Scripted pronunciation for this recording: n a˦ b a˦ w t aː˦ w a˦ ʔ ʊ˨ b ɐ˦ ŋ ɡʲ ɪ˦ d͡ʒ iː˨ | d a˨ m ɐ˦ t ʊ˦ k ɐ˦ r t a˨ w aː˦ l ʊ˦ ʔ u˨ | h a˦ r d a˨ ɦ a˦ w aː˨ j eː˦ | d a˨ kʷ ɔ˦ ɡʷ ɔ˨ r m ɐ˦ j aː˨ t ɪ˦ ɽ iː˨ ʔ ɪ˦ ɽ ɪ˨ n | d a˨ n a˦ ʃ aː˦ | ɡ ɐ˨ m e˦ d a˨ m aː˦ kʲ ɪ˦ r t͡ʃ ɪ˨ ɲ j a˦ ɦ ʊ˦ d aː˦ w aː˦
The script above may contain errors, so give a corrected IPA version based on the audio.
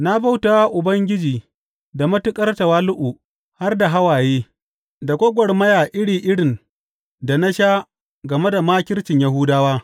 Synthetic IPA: n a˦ b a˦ w t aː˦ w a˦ ʔ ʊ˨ b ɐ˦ ŋ ɡʲ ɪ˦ d͡ʒ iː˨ | d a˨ m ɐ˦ t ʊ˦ kʼ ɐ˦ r t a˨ w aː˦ l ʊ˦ ʔ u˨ | h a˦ r d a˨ ɦ a˦ w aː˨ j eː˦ | d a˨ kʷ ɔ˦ ɡʷ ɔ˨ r m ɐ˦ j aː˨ ʔ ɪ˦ ɽ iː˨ ʔ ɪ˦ ɽ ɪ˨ n | d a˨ n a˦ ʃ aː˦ | ɡ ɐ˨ m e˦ d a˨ m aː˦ kʲ ɪ˦ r t͡ʃ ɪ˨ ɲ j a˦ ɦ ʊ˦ d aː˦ w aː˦